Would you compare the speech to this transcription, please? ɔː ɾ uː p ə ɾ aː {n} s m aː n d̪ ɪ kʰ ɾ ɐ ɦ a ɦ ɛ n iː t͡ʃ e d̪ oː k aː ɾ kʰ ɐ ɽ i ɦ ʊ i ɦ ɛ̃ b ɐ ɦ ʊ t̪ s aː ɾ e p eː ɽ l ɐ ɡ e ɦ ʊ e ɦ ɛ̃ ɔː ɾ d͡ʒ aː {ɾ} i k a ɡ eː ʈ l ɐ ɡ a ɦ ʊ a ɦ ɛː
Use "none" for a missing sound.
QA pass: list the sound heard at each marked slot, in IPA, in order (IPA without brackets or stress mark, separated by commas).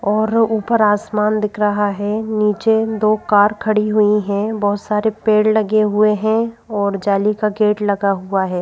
none, l